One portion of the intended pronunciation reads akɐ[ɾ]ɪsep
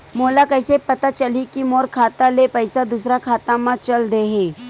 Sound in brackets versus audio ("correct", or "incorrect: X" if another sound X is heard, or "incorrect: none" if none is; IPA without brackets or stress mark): incorrect: none